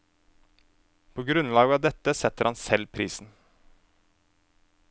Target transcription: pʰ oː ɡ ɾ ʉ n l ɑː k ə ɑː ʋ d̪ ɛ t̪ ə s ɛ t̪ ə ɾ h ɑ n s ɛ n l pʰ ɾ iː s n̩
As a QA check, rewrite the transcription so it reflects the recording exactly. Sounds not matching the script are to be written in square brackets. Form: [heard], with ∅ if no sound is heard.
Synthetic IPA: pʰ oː ɡ ɾ ʉ n l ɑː [ɡ] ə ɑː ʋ d̪ ɛ t̪ ə s ɛ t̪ ə ɾ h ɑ n s ɛ [∅] l pʰ ɾ iː s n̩